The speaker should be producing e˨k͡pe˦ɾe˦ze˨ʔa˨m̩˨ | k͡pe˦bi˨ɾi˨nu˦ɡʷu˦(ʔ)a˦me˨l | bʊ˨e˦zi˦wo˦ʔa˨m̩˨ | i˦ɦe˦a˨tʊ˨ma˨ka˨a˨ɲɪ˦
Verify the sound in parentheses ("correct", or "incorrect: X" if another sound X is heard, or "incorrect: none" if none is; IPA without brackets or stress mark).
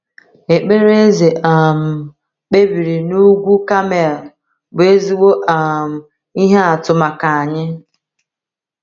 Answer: incorrect: k